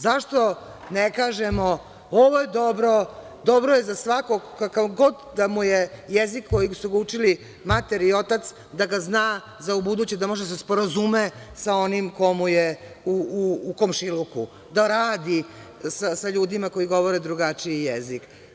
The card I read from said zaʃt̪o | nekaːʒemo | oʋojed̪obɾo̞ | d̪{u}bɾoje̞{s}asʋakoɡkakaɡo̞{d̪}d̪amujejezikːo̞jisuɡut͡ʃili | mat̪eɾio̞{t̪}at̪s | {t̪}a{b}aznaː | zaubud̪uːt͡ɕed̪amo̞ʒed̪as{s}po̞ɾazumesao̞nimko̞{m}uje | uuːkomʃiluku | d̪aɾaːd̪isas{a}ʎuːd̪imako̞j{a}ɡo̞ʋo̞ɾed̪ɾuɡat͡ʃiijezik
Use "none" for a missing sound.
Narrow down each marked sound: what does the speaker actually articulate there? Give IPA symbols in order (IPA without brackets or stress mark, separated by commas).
o, z, d̪, t̪, d̪, ɡ, s, m, a, i